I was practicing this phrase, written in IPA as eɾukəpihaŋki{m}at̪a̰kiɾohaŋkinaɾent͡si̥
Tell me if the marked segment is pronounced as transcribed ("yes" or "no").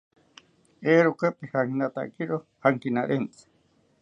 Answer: no